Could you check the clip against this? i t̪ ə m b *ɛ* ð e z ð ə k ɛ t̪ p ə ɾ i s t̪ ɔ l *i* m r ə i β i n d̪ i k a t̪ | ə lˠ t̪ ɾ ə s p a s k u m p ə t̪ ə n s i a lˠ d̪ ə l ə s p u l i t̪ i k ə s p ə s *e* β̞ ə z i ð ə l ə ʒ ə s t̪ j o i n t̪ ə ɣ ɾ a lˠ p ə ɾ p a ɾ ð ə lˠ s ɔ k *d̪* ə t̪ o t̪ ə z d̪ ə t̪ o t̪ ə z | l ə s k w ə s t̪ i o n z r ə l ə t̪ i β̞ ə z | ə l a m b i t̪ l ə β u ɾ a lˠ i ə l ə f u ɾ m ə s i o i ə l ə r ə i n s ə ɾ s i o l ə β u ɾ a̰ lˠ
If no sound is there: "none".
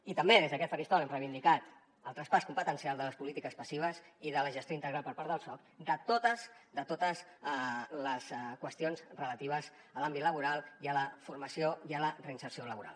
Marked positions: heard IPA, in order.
e, ɛ, i, d̪

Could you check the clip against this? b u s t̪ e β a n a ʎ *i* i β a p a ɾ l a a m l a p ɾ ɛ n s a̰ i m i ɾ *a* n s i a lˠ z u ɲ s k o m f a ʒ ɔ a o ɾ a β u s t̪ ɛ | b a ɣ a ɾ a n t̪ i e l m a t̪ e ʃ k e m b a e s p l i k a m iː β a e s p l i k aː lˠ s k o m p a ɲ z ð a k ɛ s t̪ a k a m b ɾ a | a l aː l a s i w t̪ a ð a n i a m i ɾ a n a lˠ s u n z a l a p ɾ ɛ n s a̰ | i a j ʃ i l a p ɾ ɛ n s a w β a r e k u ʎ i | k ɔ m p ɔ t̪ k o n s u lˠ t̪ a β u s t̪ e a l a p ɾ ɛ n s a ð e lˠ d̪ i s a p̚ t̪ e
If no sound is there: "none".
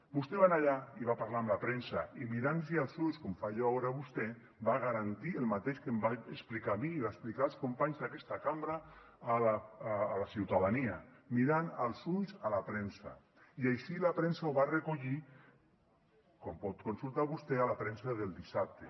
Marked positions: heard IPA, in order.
a, a

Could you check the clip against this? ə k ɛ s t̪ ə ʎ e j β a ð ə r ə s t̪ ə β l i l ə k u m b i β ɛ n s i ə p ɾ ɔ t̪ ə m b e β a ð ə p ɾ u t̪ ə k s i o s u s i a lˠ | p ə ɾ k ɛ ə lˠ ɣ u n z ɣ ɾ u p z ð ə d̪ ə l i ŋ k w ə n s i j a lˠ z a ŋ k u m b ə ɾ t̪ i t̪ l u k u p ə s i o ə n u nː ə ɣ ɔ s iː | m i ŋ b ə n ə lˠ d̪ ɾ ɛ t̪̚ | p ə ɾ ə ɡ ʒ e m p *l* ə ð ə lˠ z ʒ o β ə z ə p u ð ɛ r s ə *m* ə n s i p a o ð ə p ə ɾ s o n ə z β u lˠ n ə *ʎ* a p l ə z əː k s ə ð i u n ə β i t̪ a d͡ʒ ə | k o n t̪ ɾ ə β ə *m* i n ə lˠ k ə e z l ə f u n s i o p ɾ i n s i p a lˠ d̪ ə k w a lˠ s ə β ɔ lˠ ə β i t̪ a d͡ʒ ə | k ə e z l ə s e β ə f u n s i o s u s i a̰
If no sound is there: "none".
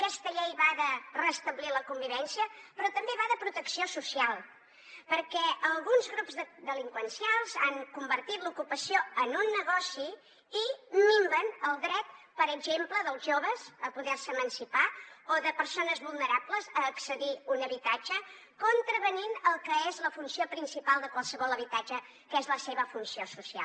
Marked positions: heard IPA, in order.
l, m, ɾ, n

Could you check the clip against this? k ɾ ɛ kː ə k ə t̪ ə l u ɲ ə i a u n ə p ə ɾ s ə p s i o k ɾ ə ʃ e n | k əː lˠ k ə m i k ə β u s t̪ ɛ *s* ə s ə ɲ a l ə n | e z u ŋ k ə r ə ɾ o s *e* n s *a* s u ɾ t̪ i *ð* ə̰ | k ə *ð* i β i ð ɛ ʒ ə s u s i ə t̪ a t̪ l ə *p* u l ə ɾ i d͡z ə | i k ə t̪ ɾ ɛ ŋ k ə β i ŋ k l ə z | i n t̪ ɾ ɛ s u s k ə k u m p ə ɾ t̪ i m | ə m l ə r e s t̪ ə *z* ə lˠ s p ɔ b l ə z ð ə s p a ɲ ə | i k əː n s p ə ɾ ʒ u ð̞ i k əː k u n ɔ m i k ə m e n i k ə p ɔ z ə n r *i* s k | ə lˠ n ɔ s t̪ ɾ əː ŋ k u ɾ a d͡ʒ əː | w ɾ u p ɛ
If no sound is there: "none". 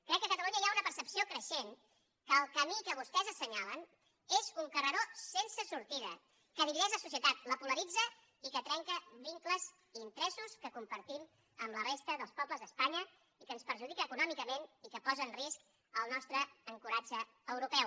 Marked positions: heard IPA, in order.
z, e, ə, ð, ð, p, ð, i

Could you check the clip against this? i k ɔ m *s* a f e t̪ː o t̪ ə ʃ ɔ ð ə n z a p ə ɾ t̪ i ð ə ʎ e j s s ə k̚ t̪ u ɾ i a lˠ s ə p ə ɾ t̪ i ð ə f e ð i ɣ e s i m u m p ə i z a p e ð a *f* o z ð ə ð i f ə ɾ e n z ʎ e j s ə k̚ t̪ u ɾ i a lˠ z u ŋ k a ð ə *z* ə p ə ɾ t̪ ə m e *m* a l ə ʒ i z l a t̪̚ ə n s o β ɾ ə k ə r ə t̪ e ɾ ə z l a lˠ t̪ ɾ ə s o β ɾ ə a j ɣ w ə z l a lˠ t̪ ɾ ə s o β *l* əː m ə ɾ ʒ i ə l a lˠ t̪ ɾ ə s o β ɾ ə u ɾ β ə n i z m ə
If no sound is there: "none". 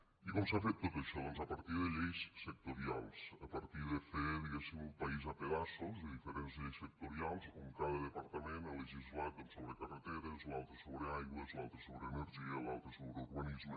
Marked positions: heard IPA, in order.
s, s, ð, n, ɾ

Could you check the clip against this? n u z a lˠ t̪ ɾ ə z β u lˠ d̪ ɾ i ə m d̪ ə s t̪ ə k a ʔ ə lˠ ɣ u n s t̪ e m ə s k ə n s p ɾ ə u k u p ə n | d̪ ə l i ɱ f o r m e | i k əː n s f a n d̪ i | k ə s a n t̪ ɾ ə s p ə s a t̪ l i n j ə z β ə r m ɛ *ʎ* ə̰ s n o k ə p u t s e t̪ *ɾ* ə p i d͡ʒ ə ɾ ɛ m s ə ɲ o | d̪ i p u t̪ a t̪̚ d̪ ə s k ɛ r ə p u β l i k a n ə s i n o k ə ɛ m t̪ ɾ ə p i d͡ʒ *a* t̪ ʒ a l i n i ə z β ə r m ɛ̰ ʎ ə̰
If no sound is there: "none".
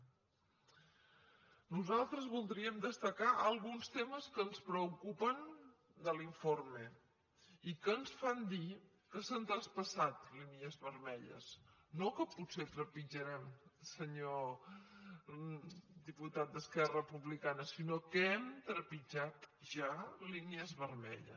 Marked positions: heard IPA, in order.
ʎ, ɾ, a

